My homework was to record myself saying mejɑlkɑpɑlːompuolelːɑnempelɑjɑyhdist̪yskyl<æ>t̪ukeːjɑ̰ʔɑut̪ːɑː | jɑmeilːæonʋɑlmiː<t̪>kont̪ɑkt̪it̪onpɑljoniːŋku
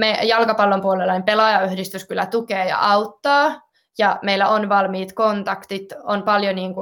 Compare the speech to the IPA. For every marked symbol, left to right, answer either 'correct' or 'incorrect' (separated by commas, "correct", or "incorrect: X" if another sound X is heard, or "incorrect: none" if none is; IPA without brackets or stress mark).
correct, correct